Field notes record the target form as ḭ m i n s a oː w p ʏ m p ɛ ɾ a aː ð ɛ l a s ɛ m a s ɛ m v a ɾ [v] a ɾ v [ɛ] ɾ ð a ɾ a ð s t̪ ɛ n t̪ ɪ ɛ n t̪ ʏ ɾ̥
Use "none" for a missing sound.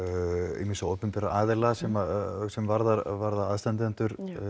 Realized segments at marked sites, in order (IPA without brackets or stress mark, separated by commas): ð, a